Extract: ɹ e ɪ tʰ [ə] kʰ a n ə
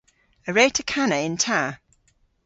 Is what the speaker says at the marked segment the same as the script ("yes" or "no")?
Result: yes